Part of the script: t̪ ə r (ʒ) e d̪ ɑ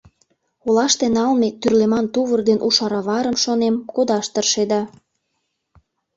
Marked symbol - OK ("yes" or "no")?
no